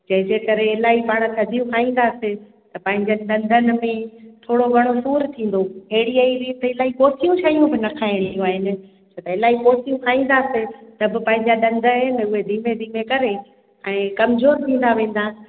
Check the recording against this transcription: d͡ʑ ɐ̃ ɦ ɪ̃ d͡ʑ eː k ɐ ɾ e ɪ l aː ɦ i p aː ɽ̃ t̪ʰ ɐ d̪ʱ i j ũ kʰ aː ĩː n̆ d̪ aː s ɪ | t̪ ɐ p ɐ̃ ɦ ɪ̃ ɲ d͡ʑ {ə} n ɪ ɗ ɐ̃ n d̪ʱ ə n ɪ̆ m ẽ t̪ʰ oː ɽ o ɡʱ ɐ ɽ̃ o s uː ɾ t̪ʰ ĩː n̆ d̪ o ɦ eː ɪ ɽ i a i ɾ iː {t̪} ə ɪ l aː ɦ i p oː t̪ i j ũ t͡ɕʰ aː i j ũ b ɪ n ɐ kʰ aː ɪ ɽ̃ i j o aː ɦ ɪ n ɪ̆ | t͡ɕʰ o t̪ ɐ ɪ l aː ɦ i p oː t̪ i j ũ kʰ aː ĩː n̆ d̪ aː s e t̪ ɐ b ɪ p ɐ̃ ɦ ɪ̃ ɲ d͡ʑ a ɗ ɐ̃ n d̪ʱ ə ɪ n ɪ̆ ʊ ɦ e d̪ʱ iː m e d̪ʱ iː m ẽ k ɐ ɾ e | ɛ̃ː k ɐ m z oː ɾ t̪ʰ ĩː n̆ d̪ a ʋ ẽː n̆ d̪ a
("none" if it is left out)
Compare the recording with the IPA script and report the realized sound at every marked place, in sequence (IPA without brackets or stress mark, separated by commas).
ə, t̪